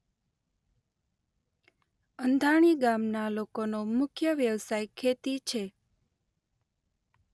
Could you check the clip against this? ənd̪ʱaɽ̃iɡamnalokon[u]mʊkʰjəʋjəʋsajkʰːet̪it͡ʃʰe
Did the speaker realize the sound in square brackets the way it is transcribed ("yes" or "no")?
no